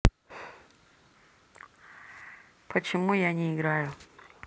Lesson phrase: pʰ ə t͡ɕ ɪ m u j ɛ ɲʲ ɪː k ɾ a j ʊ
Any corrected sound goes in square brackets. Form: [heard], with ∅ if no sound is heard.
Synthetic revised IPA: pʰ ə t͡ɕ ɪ m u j [a] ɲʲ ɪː [ɡ] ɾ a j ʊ